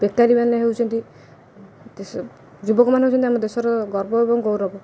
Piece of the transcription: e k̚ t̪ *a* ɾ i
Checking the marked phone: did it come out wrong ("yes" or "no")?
no